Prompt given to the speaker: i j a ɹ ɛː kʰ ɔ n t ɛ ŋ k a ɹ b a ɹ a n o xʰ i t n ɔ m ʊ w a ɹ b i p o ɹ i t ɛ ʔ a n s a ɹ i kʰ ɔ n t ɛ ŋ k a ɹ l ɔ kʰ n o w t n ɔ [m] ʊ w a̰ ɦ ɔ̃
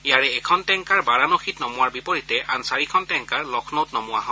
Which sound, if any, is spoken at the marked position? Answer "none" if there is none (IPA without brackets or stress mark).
m